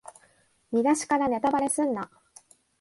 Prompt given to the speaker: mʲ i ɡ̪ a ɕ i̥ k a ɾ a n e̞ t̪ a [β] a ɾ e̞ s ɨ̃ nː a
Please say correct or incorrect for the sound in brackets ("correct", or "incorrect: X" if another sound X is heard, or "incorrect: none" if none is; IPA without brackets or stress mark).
incorrect: b